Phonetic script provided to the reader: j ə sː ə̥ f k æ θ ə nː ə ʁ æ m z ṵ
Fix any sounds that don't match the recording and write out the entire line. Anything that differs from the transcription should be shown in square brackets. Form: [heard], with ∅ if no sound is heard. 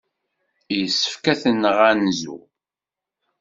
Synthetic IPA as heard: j ə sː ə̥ f k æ θ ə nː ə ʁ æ [n] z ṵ